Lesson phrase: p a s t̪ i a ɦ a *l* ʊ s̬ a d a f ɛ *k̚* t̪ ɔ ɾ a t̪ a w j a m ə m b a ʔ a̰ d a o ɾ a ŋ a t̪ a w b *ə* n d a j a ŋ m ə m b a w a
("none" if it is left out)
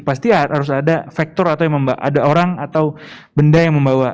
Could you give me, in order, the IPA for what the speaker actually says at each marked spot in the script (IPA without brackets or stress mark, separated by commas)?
ɾ, k̚, ə